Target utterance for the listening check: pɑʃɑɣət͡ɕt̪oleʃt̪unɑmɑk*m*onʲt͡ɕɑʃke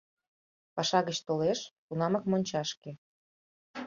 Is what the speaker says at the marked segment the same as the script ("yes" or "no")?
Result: yes